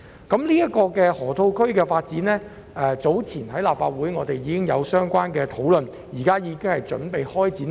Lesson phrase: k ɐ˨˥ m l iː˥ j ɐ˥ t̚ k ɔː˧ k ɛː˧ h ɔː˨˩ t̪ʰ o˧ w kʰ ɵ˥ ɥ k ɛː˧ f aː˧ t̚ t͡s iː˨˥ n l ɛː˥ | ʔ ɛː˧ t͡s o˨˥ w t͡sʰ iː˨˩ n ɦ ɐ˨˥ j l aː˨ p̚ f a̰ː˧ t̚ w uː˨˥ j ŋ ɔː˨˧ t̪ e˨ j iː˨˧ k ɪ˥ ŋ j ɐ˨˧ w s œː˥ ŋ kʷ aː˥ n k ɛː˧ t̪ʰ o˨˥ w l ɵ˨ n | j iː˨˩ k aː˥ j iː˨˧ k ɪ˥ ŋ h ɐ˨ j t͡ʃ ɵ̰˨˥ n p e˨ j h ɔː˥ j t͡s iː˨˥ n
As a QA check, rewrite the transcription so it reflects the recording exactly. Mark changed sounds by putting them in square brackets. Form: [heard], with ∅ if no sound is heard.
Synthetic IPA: k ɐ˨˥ m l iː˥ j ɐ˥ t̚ k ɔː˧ k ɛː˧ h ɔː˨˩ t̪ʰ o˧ w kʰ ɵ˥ ɥ k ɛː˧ f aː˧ t̚ t͡s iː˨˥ n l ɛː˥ | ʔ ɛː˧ t͡s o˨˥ w t͡sʰ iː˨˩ n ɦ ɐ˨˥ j l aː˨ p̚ f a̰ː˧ t̚ w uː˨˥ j ŋ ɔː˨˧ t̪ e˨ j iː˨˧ k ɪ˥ ŋ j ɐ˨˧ w s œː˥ ŋ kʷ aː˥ n k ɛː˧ t̪ʰ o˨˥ w l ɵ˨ n | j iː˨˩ k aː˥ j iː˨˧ k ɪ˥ ŋ h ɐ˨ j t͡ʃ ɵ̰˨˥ n p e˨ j h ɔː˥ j t͡s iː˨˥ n

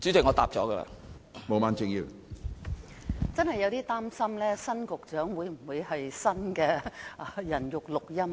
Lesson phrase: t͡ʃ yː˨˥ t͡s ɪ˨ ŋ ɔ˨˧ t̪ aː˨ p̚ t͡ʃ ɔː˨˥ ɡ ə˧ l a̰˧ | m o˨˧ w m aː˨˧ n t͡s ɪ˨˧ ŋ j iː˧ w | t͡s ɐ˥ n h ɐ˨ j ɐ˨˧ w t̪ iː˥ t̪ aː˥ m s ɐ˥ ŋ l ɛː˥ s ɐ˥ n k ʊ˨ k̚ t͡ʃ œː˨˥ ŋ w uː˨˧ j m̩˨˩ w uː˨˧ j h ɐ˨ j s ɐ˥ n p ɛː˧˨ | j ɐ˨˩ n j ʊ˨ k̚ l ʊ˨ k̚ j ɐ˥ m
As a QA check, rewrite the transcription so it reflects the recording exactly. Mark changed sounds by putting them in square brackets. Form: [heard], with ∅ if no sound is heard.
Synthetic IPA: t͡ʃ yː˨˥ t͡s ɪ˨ ŋ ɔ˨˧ t̪ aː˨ p̚ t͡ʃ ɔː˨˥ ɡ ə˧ l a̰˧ | m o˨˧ w m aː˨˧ n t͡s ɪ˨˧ ŋ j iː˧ w | t͡s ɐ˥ n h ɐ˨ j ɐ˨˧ w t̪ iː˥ t̪ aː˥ m s ɐ˥ [m] l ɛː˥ s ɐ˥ n k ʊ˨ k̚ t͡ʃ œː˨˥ ŋ w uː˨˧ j m̩˨˩ w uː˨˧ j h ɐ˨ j s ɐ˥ n [k] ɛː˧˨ | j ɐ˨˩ n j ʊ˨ k̚ l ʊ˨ k̚ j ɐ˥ m

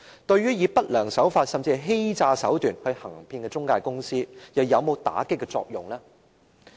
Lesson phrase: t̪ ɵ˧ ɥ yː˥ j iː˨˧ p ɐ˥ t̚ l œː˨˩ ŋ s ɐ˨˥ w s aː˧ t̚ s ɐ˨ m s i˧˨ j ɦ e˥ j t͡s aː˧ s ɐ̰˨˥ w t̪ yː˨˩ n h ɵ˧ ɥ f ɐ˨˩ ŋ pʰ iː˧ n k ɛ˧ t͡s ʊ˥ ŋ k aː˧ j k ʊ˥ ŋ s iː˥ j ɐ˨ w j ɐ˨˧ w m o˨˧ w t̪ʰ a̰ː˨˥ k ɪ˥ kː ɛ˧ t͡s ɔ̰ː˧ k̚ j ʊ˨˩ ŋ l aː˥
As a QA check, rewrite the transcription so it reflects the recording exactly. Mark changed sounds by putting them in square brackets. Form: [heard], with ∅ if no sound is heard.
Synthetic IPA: t̪ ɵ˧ ɥ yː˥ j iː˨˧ p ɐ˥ t̚ l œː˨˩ ŋ s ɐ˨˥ w [f] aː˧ t̚ s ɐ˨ m [t͡s] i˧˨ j ɦ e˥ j t͡s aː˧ s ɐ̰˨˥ w t̪ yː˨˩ n h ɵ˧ ɥ [h] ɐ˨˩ ŋ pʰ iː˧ n k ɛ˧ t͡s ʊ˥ ŋ k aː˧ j k ʊ˥ ŋ s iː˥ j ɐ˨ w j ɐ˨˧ w m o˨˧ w [t̪] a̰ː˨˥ k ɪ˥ kː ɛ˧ t͡s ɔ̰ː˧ k̚ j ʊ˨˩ ŋ l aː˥

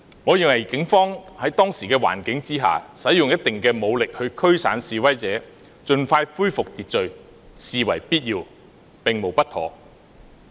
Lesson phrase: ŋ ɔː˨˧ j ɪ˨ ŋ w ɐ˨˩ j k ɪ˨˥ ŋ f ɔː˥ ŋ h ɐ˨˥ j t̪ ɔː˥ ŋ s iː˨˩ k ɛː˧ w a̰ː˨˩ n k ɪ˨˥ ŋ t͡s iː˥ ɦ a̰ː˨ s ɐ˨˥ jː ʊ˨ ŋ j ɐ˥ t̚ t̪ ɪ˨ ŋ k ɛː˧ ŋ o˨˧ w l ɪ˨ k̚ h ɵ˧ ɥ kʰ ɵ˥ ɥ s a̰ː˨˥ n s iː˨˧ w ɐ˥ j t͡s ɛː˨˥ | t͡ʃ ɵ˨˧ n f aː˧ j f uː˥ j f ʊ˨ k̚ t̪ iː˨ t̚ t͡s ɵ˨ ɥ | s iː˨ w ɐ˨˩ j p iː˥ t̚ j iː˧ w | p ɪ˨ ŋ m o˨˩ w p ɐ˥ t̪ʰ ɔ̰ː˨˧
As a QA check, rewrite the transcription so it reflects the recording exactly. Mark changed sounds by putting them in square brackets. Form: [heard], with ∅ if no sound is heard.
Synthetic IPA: ŋ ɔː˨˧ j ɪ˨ ŋ w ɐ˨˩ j k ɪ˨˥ ŋ f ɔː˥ ŋ h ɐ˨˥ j t̪ ɔː˥ ŋ s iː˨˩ k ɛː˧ w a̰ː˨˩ n k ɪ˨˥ ŋ t͡s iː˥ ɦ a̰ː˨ s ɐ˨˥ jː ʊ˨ ŋ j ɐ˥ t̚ t̪ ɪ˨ ŋ k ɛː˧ [m] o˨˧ w l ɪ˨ k̚ h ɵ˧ ɥ kʰ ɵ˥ ɥ s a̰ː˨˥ n s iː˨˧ w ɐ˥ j t͡s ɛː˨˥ | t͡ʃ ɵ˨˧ n f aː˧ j f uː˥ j f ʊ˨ k̚ t̪ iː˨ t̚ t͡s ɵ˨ ɥ | s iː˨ w ɐ˨˩ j p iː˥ t̚ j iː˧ w | p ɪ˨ ŋ m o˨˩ w p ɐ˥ t̪ʰ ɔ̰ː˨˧

